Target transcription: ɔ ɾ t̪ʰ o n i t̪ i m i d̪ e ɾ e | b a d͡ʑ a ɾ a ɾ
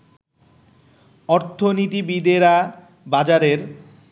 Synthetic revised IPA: ɔ ɾ t̪ʰ o n i t̪ i b i d̪ e ɾ a | b a d͡ʑ a ɾ e ɾ